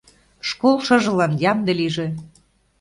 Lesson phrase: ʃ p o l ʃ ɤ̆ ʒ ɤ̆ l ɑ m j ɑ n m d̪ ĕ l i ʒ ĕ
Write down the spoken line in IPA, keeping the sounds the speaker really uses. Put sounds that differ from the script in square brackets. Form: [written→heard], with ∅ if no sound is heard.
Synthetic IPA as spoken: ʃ [p→k] o l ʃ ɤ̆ ʒ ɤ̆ l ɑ [m→n] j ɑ [n→∅] m d̪ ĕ l i ʒ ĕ